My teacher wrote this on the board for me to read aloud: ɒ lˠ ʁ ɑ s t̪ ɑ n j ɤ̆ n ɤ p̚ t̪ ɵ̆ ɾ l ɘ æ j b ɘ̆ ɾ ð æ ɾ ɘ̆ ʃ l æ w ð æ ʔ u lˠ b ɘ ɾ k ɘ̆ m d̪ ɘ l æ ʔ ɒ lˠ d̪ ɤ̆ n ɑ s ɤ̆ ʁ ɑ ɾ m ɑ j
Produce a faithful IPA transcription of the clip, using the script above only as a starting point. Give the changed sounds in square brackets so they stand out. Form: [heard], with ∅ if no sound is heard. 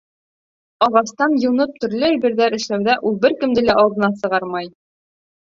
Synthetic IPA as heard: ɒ [∅] ʁ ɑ s t̪ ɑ n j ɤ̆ n ɤ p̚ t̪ ɵ̆ ɾ l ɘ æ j b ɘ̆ ɾ ð æ ɾ ɘ̆ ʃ l æ w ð æ ʔ u lˠ b ɘ ɾ k ɘ̆ m d̪ ɘ l æ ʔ ɒ lˠ d̪ ɤ̆ n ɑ s ɤ̆ ʁ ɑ ɾ m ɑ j